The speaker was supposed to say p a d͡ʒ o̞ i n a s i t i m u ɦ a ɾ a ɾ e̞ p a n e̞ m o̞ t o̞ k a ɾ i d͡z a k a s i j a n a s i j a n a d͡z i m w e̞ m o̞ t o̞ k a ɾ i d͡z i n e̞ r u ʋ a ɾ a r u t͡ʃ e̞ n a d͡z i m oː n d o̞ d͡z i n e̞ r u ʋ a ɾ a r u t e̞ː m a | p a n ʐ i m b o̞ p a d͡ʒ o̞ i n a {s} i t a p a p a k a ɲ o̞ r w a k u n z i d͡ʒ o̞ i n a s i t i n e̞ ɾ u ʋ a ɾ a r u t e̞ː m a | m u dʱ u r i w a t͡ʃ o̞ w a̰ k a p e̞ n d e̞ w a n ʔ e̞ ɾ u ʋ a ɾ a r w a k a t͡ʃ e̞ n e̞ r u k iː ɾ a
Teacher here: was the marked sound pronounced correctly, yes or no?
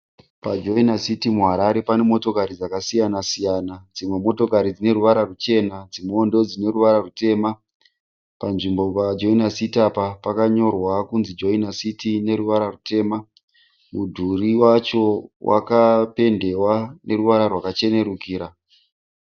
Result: yes